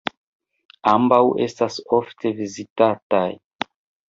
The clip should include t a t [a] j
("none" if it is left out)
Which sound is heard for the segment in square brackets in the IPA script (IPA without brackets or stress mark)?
a